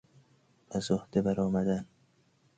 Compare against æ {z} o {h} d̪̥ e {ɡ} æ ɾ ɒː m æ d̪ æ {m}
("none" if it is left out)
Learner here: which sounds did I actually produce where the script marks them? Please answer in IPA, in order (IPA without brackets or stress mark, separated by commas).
z, h, b, n